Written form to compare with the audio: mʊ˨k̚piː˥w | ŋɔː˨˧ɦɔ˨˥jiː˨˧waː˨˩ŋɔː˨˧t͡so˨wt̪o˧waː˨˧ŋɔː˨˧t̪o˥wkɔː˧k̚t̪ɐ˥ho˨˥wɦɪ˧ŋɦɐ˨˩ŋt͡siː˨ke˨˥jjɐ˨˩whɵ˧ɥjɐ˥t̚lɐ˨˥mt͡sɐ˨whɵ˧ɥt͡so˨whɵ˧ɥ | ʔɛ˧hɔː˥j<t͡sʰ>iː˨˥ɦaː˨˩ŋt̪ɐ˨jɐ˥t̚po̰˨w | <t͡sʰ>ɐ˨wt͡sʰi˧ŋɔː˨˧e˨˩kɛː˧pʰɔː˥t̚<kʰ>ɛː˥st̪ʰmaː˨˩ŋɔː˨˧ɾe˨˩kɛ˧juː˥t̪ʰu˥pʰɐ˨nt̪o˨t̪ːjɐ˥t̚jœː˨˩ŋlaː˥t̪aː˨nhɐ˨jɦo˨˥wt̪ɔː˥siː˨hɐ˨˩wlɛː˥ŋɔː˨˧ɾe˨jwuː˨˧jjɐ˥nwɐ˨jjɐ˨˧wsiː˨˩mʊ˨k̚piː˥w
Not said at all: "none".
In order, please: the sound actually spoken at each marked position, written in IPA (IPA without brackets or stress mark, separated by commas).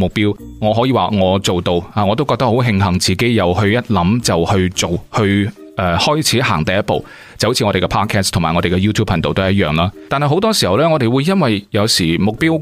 t͡sʰ, t͡s, kʰ